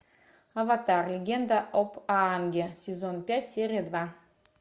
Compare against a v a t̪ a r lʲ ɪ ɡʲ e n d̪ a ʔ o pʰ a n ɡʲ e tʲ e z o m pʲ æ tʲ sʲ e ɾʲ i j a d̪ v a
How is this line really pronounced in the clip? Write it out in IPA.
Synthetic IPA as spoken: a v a t̪ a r lʲ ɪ ɡʲ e n d̪ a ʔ o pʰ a n ɡʲ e sʲ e z o n pʲ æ tʲ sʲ e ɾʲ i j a d̪ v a